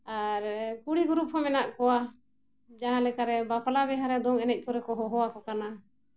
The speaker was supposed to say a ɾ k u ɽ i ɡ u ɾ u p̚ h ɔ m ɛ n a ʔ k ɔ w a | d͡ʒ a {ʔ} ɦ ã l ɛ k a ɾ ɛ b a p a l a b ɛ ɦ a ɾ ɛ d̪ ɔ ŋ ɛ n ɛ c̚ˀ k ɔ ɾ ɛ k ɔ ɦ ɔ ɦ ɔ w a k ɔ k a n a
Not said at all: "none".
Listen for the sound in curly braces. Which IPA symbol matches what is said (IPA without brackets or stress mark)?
none